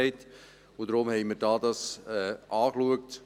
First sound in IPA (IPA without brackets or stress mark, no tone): ɪ